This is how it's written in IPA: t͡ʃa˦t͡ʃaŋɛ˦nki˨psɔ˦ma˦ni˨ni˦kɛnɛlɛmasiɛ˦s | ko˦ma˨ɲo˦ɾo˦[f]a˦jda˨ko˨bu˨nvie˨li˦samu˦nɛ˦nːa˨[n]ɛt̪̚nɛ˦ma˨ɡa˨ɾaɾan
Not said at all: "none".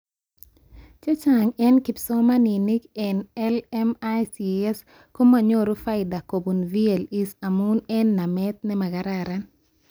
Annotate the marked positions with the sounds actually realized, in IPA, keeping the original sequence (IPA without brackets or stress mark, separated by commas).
f, m